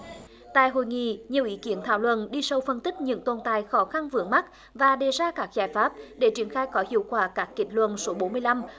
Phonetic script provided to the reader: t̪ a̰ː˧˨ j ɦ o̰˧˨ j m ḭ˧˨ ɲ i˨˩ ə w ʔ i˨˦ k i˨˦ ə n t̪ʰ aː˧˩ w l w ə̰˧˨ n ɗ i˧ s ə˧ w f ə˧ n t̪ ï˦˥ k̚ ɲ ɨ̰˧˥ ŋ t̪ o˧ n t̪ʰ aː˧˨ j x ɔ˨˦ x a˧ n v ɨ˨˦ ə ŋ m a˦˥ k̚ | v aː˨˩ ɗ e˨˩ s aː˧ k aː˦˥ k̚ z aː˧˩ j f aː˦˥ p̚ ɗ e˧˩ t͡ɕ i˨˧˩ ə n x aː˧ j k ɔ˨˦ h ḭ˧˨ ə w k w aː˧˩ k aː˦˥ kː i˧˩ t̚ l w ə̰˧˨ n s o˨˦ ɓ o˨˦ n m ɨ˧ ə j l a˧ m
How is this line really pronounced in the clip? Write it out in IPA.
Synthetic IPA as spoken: t̪ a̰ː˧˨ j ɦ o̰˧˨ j ŋ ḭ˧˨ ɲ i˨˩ ə w ʔ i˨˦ k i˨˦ ə n t̪ʰ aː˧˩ w l w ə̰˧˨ n ɗ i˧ s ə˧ w f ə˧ n t̪ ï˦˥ k̚ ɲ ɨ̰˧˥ ŋ t̪ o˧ n t̪ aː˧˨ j x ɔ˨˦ x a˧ n v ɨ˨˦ ə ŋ m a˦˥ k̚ | v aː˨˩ ɗ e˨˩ z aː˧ k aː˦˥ k̚ z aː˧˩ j f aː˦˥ p̚ ɗ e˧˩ t͡ɕ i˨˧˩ ə n x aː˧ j k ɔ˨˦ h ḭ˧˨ ə w k w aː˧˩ k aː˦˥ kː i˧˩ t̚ l w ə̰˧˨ n s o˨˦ ɓ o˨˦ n m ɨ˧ ə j l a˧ m

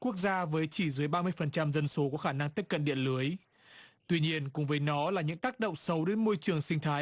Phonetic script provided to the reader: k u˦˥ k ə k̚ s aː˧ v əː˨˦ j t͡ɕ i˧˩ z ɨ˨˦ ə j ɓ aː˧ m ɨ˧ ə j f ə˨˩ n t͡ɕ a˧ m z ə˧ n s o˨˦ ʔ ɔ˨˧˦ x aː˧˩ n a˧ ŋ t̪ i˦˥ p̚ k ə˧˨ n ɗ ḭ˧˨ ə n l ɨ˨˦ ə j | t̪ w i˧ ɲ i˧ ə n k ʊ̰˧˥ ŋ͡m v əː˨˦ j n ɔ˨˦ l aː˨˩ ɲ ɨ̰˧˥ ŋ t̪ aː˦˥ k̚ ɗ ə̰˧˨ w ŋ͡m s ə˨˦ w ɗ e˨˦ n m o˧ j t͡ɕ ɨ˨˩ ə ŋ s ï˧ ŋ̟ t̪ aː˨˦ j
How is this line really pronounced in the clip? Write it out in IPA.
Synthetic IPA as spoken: k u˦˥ ə k̚ z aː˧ v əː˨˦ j t͡ɕ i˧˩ z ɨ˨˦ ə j ɓ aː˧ m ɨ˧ ə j f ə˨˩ n t͡ɕ a˧ m z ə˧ n s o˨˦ k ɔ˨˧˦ x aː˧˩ n a˧ ŋ t̪ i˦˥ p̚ k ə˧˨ n ɗ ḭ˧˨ ə n l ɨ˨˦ ə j | t̪ w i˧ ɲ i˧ ə n k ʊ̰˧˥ ŋ͡m v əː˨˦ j n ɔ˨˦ l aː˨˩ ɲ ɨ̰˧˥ ŋ t̪ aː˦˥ k̚ ɗ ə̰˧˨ w ŋ͡m s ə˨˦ w ɗ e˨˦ n m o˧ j t͡ɕ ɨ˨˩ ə ŋ s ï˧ ŋ̟ t̪ʰ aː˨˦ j

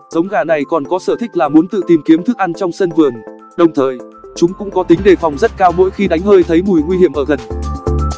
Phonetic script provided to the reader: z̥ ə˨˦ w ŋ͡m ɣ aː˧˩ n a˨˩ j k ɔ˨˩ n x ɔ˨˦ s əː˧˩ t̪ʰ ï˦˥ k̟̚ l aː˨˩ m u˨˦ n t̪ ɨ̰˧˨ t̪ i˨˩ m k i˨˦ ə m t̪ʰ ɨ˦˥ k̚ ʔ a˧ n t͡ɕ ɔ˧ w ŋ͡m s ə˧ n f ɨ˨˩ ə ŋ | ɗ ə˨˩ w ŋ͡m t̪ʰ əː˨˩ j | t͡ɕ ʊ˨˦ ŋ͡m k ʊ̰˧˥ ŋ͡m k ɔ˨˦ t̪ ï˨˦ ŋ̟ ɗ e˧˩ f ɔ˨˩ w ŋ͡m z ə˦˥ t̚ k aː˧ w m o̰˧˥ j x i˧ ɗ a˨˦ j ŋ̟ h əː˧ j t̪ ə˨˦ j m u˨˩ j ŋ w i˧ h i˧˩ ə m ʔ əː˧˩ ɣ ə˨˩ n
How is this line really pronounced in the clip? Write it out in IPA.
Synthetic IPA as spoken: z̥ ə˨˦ w ŋ͡m ɣ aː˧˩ n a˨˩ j k ɔ˨˩ n k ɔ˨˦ s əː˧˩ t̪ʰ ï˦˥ k̟̚ l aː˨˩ m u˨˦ n t̪ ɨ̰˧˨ t̪ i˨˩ m k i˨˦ ə m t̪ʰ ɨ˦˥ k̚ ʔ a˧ n t͡ɕ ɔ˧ w ŋ͡m s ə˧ n v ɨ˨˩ ə ŋ | ɗ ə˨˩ w ŋ͡m t̪ʰ əː˨˩ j | t͡ɕ ʊ˨˦ ŋ͡m k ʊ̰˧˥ ŋ͡m k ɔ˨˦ t̪ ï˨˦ ŋ̟ ɗ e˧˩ f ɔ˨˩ w ŋ͡m z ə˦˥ t̚ k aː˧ w m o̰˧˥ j x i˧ ɗ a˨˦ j ŋ̟ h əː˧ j t̪ʰ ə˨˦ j m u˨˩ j ŋ w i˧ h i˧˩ ə m ʔ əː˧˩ ɣ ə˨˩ n

